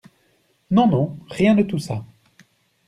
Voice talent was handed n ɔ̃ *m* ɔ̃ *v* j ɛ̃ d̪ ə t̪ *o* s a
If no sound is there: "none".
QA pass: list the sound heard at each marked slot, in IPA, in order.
n, ʁ, u

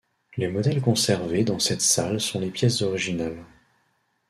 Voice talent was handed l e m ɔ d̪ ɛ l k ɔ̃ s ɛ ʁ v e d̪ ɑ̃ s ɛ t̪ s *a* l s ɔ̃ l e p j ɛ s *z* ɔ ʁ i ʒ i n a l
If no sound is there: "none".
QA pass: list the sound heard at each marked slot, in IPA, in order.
a, z

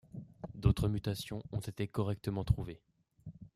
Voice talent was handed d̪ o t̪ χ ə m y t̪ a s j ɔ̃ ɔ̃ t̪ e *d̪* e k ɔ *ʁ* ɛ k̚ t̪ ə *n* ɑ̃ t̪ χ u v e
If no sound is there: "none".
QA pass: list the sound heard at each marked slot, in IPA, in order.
t̪, ʁ, m

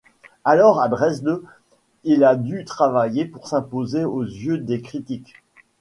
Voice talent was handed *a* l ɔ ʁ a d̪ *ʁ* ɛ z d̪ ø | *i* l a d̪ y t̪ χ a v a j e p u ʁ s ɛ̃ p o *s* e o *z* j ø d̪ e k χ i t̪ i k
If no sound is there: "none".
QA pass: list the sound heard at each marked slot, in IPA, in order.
a, ʁ, i, z, z

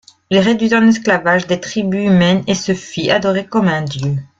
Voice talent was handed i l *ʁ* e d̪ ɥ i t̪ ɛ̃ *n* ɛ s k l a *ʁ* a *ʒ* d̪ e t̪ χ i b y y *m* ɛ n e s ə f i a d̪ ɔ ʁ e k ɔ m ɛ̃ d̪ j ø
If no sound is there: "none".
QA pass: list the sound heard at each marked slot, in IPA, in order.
ʁ, n, v, ʒ, m

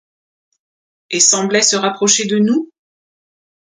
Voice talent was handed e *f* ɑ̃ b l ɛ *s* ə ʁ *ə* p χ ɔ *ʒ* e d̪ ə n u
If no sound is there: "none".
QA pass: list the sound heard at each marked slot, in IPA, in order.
s, s, a, ʃ

